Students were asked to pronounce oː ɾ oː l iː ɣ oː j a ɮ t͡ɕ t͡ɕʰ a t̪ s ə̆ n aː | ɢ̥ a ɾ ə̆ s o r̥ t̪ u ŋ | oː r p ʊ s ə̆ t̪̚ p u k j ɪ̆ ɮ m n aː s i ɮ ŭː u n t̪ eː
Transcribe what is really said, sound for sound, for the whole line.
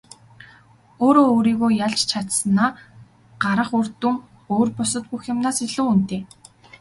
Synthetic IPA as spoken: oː ɾ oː ɾ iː ɣ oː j a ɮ t͡ɕ t͡ɕʰ a t̪ s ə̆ n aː | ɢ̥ a ɾ ə̆ χ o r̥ t̪ u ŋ | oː r p ʊ s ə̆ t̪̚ p u x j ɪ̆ m n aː s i ɮ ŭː u n t̪ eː

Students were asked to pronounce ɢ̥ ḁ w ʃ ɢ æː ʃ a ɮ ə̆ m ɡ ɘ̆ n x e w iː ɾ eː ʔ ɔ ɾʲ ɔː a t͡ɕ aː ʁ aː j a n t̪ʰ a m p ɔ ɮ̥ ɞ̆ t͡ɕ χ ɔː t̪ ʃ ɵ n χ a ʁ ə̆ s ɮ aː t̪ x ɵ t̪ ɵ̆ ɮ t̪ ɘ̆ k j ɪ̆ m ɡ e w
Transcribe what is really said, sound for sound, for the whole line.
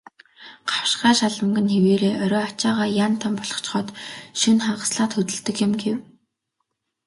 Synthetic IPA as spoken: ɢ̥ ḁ w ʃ ɢ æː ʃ a ɮ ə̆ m ɡ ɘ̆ n x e w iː ɾ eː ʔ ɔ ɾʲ ɔː a t͡ɕ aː ʁ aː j a n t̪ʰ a m p ɔ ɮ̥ ɞ̆ t͡ɕ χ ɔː t̪ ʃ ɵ n χ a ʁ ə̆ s ɮ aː t̪ x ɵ t̪ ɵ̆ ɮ t̪ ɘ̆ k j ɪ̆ m ɡ e w

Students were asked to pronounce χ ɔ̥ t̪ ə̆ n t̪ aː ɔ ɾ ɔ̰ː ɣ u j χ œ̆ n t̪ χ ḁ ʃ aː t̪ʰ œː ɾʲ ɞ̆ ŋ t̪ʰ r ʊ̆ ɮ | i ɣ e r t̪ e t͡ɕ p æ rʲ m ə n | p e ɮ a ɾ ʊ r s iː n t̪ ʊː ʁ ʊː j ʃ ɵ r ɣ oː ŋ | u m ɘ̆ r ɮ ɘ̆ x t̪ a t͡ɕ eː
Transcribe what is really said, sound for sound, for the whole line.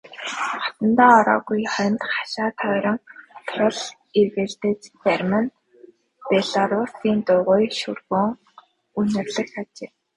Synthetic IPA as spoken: χ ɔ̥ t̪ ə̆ n t̪ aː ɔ ɾ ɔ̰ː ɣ u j χ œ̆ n t̪ χ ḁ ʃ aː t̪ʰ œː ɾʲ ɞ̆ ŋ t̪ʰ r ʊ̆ ɮ | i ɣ e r t̪ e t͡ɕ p æ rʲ m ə n | p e ɮ a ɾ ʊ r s iː n t̪ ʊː ʁ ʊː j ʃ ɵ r ɣ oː ŋ | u n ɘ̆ r ɮ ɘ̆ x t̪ a t͡ɕ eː

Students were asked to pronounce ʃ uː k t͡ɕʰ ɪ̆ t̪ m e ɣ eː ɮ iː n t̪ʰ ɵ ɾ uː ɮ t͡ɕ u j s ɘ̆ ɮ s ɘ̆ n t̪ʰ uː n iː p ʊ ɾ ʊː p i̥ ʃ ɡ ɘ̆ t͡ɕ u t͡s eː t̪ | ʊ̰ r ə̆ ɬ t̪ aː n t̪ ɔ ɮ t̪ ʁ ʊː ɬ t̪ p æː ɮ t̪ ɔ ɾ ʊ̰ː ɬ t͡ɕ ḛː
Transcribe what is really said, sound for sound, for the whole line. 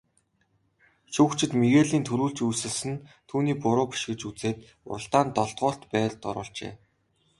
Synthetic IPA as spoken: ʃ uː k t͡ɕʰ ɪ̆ t̪ m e ɣ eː ɮ iː n t̪ʰ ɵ ɾ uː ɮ t͡ɕ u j s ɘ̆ ɮ s ɘ̆ n t̪ʰ uː n iː p ʊ ɾ ʊː p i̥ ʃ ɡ ɘ̆ t͡ɕ u t͡s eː t̪ | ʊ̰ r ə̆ ɬ t̪ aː n t̪ ɔ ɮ t̪ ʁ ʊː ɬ t̪ p æː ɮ t̪ ɔ ɾ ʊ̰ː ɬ t͡ɕ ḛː

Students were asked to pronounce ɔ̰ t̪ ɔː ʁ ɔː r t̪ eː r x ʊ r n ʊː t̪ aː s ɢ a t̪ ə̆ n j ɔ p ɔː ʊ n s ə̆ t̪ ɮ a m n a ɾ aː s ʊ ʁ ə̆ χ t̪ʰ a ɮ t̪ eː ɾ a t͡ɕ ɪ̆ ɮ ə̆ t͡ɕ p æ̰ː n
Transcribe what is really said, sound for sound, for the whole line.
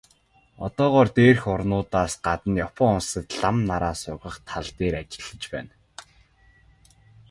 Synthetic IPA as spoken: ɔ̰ t̪ ɔː ʁ ɔː r t̪ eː r x ʊ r n ʊː t̪ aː s ɢ a t̪ ə̆ n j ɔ p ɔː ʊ n s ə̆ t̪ ɮ a m n a ɾ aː s ʊ ʁ ə̆ χ t̪ʰ a ɮ t̪ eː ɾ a t͡ɕ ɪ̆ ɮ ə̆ t͡ɕ p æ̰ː n

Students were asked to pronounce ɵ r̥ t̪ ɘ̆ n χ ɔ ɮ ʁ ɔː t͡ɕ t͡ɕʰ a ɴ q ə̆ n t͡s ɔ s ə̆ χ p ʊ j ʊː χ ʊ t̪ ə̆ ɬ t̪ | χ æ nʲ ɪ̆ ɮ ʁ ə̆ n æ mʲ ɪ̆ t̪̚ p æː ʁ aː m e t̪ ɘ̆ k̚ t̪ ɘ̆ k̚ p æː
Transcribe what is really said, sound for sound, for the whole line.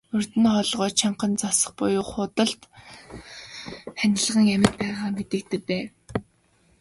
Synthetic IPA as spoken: ɵ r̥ t̪ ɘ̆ n χ ɔ ɮ ʁ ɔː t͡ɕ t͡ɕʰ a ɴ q ə̆ n t͡s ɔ s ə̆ χ p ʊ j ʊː χ ʊ t̪ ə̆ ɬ t̪ | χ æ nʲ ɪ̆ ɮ ʁ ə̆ ŋ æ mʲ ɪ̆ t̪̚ p æː ʁ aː m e t̪ ɘ̆ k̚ t̪ ɘ̆ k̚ p æː

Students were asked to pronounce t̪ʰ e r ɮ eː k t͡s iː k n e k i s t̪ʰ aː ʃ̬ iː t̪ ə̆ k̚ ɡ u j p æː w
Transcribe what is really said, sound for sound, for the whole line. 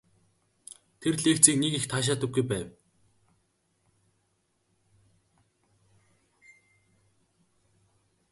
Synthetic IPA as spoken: t̪ʰ e r ɮ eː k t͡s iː k n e k i x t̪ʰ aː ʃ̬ aː t̪ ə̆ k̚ ɡ u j p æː w

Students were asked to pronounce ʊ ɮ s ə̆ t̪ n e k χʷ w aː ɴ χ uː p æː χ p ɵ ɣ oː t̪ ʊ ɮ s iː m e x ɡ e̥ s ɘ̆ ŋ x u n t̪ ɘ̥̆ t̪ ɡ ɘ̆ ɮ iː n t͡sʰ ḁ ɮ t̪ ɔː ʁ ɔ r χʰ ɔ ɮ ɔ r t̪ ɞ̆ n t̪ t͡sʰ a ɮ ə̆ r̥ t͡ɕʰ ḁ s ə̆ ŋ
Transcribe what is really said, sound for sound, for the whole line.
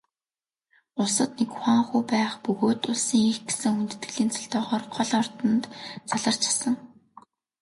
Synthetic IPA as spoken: ʊ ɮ s ə̆ t̪ n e k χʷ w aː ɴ χ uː p æː χ p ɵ ɣ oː t̪ ʊ ɮ s iː ŋ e x ɡ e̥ s ɘ̆ ŋ x u n t̪ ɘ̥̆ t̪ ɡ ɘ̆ ɮ iː n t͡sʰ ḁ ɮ t̪ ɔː ʁ ɔː r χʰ ɔ ɮ ɔ r t̪ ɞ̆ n t̪ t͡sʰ a ɮ ə̆ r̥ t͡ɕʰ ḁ s ə̆ ŋ

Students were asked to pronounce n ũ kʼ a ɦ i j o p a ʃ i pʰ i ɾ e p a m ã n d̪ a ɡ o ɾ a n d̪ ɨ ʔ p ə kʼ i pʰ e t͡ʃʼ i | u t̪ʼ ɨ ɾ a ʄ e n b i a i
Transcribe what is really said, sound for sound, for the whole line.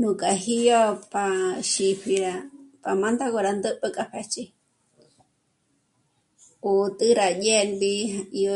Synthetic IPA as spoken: n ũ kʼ a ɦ i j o p a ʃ i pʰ i ɾ a p a m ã n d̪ a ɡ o ɾ a n d̪ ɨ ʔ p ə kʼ a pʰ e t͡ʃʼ i | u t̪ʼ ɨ ɾ a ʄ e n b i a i

